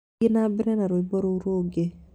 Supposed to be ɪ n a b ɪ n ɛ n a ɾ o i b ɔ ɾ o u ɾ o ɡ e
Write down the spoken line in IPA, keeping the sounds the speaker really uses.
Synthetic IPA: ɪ n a b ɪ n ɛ n a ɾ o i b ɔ ɾ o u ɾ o ɡ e

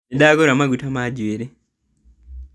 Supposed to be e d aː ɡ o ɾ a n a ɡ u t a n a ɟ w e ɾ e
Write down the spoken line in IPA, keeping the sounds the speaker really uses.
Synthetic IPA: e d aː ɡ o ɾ a m a ɡ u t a m a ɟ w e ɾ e

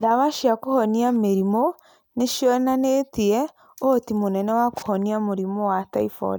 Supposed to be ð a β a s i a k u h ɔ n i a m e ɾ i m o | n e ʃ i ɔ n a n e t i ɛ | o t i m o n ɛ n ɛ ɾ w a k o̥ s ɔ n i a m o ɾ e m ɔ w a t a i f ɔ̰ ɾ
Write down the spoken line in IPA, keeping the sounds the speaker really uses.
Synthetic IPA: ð a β a ʃ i a k o h ɔ n i a m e ɾ i m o | n e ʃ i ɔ n a n e t i ɛ | o t i m o n ɛ n ɛ w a k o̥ h ɔ n i a m o ɾ i m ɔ w a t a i f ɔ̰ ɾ

